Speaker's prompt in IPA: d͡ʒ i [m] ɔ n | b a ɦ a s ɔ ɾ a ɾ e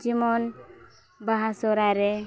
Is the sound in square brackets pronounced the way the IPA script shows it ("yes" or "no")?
yes